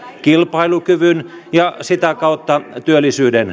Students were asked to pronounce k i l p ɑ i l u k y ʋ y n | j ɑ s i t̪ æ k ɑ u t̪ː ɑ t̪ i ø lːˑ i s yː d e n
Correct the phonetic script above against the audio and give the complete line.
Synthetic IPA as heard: k i l p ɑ i l u k y ʋ y n | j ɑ s i t̪ æ k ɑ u t̪ː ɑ t̪ y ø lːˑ i s yː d e n